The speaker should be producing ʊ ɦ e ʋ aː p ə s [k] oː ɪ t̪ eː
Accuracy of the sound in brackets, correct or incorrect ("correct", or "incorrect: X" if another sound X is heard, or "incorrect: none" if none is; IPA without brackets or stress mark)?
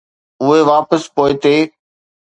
incorrect: p